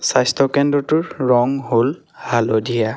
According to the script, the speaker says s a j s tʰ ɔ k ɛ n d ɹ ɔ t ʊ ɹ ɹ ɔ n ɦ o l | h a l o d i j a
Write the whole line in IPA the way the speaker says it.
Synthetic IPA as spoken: s a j s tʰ ɔ k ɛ n d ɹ ɔ t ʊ ɹ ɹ ɔ ŋ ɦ o l | h a l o d i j a